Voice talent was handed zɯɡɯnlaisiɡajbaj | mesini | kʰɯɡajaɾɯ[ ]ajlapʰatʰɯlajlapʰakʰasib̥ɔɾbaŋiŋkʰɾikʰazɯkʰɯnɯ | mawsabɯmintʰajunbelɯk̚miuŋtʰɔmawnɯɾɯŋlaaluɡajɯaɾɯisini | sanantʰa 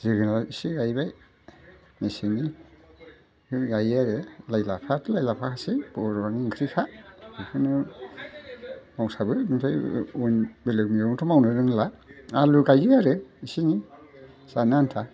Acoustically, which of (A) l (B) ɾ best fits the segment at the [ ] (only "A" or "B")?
A